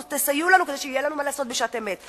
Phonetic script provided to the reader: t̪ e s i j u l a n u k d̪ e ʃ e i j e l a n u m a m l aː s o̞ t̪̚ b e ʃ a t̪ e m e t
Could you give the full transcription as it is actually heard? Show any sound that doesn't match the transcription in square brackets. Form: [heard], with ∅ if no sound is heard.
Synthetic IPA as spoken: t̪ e s [a] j u l a n u k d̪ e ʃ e i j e l a n u m a [∅] l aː s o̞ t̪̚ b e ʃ a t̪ e m e t